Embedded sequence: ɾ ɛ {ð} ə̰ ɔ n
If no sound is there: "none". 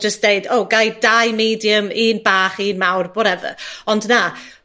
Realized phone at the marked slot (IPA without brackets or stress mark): v